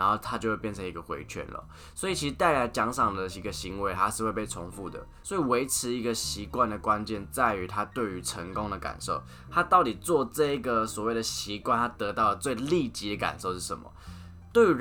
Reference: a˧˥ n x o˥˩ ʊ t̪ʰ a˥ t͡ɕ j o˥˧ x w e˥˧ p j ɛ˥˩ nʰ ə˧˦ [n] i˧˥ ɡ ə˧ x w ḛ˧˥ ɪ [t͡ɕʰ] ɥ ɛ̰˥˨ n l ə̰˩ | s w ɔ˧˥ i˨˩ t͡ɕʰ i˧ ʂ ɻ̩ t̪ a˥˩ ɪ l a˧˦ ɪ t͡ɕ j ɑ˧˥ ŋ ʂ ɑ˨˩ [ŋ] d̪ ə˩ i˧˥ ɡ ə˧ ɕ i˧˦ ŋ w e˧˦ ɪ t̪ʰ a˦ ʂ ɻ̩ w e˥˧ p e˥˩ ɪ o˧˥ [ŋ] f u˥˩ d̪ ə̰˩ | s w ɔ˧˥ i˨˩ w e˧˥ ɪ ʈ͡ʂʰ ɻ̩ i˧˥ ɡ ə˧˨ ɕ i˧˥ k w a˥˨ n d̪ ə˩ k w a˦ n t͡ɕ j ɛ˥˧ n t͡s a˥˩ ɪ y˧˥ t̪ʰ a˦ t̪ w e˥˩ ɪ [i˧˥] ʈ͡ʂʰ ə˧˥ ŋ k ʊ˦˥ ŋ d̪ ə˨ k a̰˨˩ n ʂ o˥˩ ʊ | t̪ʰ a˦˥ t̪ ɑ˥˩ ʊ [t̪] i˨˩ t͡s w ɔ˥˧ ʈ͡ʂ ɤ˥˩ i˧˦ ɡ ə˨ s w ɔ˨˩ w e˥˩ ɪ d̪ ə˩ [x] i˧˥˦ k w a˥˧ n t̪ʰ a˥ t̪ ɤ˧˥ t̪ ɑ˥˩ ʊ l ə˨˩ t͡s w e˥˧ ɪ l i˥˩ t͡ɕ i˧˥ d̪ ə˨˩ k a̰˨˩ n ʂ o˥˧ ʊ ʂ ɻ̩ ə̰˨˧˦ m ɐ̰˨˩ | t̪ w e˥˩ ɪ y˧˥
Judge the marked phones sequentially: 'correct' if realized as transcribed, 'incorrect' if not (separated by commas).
incorrect, correct, correct, correct, incorrect, correct, incorrect